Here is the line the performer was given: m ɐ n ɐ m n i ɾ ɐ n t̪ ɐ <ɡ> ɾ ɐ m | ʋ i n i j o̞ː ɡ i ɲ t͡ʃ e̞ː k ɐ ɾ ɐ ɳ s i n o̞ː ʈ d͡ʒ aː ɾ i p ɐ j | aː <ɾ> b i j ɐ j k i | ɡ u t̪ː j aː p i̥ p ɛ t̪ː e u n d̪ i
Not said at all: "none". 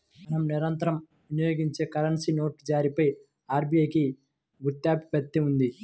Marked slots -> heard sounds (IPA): none, ɾ

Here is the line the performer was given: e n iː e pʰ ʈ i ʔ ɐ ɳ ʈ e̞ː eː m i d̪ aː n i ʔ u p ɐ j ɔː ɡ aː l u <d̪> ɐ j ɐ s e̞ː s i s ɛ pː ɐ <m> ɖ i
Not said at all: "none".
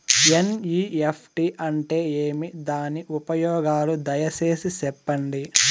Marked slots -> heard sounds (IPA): d̪, ɳ

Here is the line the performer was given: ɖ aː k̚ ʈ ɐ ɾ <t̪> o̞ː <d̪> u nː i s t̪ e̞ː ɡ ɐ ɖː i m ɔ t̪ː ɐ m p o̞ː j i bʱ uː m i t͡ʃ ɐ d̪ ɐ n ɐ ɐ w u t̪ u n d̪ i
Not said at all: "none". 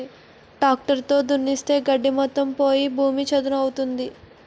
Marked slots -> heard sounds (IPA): t̪, d̪

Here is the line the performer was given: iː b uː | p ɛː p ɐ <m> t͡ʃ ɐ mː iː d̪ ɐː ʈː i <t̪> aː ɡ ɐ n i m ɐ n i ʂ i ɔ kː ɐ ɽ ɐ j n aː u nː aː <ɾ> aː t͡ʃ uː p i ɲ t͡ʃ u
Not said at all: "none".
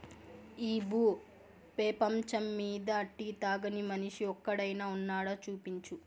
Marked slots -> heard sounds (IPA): m, t̪, ɽ

